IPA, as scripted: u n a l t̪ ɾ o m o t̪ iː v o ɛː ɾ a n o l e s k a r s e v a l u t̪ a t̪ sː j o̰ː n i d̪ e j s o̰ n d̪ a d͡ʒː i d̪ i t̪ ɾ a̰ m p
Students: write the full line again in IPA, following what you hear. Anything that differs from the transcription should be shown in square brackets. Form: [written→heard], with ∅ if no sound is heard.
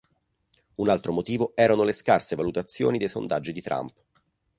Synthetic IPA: u n a l t̪ ɾ o m o t̪ iː v o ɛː ɾ a n o l e s k a r s e v a l u t̪ a t̪ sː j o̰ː n i d̪ e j s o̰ n d̪ a d͡ʒː i d̪ i t̪ ɾ a̰ m p